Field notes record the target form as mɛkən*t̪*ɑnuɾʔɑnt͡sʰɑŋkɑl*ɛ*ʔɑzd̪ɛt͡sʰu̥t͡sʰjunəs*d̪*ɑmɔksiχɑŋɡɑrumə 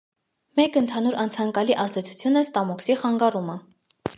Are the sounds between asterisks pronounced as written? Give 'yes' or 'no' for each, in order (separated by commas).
no, no, no